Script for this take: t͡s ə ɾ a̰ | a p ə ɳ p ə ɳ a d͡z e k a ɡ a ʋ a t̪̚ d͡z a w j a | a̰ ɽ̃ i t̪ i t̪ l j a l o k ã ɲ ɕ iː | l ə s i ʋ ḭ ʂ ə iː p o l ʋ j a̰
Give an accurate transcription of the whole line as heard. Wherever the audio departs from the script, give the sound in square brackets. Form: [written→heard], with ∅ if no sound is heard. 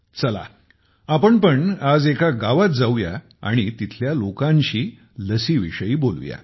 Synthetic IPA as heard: t͡s ə [ɾ→l] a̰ | a p ə ɳ p ə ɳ a d͡z e k a ɡ a ʋ a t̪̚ d͡z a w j a | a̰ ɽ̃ i t̪ i [t̪→t̪ʰ] l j a l o k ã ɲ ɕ iː | l ə s i ʋ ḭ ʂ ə iː [p→b] o l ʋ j a̰